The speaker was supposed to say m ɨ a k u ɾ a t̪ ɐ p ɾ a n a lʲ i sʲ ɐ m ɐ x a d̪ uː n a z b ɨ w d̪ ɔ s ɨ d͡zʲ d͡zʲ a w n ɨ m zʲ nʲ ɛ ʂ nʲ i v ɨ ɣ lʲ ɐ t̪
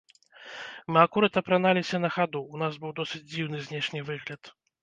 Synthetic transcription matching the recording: m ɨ a k u ɾ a t̪ ɐ p ɾ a n a lʲ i sʲ ɐ n ɐ x a d̪ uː n a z b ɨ w d̪ ɔ s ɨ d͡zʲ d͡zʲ i w n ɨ zʲ nʲ ɛ ʂ nʲ i v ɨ ɣ lʲ ɐ t̪

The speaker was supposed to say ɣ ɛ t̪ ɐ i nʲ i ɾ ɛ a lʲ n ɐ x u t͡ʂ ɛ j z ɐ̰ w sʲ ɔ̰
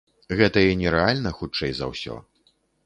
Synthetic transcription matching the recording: ɣ ɛ t̪ ɐ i nʲ ɛ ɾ ɛ a lʲ n ɐ x u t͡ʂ ɛ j z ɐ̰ w sʲ ɔ̰

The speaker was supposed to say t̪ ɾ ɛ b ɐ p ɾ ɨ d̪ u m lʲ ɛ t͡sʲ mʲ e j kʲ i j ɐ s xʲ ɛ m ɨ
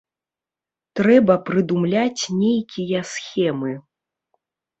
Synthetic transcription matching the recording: t̪ ɾ ɛ b ɐ p ɾ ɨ d̪ u m lʲ a t͡sʲ nʲ e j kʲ i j ɐ s xʲ ɛ m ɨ

